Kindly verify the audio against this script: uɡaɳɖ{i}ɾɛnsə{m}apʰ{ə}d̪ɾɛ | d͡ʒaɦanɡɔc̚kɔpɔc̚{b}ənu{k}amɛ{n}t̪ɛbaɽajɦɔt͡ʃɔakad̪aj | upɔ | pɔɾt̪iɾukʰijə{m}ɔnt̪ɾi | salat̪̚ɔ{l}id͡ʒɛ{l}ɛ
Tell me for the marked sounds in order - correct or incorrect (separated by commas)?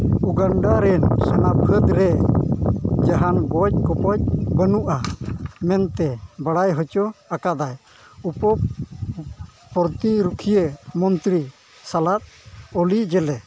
incorrect, incorrect, correct, correct, incorrect, correct, correct, correct, correct